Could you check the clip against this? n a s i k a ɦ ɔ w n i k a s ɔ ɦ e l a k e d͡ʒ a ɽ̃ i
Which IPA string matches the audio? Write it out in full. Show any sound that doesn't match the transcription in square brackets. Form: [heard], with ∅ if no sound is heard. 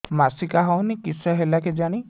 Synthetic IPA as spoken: [m] a s i k a ɦ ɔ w n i k [i] s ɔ ɦ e l a k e d͡ʒ a ɽ̃ i

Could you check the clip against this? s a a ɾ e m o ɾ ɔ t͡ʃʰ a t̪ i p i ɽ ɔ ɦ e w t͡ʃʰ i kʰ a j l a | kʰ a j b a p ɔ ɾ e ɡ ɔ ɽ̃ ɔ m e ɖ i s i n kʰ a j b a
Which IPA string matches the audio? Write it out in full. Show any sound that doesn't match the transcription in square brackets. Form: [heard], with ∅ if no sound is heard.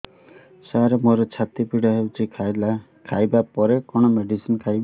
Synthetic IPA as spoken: s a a ɾ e m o ɾ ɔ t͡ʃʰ a t̪ i p i ɽ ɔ ɦ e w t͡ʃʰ i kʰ a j l a | kʰ a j b a p ɔ ɾ e [k] ɔ ɽ̃ ɔ m e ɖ i s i n kʰ a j b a

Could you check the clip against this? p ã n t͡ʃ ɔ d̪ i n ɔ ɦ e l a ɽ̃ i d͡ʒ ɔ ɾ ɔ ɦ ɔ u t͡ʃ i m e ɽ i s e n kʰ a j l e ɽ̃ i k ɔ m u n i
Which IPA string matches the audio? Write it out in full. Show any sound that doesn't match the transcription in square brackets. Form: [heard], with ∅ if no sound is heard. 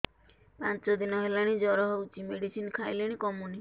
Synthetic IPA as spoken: p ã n t͡ʃ ɔ d̪ i n ɔ ɦ e l a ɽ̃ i d͡ʒ ɔ ɾ ɔ ɦ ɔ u t͡ʃ i m e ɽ i s [i] n kʰ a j l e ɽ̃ i k ɔ m u n i

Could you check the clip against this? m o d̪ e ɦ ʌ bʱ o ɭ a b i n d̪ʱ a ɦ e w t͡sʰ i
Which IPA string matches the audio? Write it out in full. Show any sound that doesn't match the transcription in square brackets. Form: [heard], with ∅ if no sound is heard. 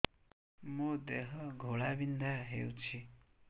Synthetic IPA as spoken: m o d̪ e ɦ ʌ [ɡʱ] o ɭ a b i n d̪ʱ a ɦ e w t͡sʰ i

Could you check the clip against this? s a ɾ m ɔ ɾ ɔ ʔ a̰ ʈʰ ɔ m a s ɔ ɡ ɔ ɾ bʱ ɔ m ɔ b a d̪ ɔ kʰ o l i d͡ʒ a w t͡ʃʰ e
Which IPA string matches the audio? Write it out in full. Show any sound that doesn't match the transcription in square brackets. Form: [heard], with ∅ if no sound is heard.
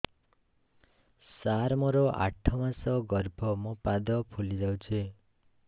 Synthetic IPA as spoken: s a ɾ m ɔ ɾ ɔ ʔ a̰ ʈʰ ɔ m a s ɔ ɡ ɔ ɾ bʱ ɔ m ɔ [p] a d̪ ɔ [pʰ] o l i d͡ʒ a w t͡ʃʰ e

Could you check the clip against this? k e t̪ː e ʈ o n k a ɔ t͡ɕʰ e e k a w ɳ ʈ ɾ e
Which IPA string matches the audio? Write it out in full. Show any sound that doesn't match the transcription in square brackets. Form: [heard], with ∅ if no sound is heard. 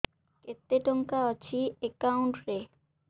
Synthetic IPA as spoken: k e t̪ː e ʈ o [ŋ] k a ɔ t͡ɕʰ [i] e k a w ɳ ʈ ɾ e

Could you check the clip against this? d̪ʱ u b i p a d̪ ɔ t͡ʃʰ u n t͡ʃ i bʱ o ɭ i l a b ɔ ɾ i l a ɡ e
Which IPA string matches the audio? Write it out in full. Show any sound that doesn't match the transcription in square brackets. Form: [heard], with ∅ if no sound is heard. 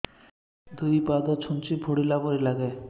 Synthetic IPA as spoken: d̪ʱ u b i p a d̪ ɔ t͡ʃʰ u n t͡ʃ i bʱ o [ɽ] i l a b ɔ ɾ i l a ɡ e

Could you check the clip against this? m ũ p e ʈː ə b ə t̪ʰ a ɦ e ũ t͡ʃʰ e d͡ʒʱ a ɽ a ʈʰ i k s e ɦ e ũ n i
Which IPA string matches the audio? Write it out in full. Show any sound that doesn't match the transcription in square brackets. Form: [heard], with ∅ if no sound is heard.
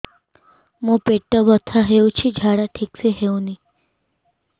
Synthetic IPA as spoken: m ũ p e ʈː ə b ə t̪ʰ a ɦ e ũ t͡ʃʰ [i] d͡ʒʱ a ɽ a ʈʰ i k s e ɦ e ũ n i

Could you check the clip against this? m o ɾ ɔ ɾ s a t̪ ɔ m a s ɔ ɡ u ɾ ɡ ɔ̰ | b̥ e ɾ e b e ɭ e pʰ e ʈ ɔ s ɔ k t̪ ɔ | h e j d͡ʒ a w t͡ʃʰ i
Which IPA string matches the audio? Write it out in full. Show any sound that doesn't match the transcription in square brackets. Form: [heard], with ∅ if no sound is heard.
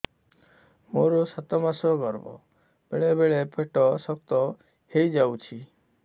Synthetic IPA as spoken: m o ɾ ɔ [∅] s a t̪ ɔ m a s ɔ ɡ [ɔ] ɾ [b] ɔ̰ | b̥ e [ɭ] e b e ɭ e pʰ e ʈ ɔ s ɔ k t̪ ɔ | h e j d͡ʒ a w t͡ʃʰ i

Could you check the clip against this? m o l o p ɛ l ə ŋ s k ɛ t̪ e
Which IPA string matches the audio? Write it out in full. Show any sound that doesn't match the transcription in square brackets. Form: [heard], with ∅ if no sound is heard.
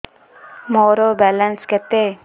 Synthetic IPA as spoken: m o [ɾ] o [b] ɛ l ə [n] s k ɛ t̪ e

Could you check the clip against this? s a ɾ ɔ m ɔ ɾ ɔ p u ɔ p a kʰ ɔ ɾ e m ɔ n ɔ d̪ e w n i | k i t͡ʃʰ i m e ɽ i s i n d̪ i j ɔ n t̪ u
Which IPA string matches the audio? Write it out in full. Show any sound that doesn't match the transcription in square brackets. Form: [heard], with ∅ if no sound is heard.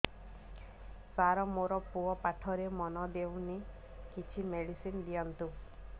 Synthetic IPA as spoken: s a ɾ ɔ m [o] ɾ ɔ p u ɔ p a [ʈʰ] ɔ ɾ e m ɔ n ɔ d̪ e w n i | k i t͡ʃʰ i m e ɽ i s i n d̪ i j ɔ n t̪ u

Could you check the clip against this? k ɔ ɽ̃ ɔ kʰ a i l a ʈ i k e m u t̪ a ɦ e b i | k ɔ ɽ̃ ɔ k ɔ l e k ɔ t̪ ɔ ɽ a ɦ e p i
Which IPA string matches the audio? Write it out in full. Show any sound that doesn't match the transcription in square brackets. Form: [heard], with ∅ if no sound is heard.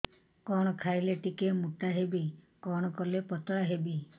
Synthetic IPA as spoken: k ɔ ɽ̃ ɔ kʰ a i l [e] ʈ i k e m u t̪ a ɦ e b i | k ɔ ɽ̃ ɔ k ɔ l e [p] ɔ t̪ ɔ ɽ a ɦ e [b] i

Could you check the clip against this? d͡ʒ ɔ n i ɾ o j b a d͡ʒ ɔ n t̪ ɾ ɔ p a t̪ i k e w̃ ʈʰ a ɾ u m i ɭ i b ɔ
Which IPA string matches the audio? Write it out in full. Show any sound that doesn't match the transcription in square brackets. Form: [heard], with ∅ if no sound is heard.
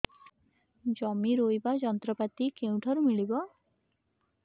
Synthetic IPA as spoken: d͡ʒ ɔ [m] i ɾ o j b a d͡ʒ ɔ n t̪ ɾ ɔ p a t̪ i k e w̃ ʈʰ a ɾ u m i ɭ i b ɔ

